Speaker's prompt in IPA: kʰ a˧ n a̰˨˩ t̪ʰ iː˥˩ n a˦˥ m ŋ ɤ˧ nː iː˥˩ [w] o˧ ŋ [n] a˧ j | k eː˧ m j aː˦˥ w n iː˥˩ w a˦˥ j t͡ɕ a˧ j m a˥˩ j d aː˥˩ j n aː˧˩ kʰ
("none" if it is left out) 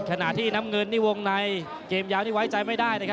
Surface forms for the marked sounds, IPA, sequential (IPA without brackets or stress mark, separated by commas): w, n